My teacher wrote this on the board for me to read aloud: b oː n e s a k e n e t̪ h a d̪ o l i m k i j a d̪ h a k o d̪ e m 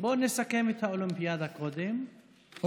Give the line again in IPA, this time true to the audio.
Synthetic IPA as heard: b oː n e s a k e m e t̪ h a o l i m p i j a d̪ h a k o d̪ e m